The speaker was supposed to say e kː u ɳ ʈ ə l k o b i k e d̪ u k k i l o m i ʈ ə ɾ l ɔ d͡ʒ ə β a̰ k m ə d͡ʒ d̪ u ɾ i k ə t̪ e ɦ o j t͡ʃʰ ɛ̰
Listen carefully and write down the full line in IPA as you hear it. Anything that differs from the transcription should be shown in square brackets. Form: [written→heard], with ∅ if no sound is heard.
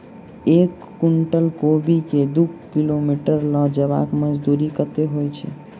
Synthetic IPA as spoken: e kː u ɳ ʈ ə l k o b i k e d̪ u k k i l o m i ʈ ə ɾ l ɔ d͡ʒ ə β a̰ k m ə d͡ʒ d̪ u ɾ i k ə t̪ e ɦ o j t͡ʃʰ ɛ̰